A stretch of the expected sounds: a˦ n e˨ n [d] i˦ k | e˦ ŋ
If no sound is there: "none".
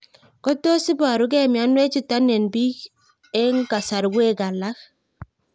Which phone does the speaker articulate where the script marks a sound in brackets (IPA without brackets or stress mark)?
b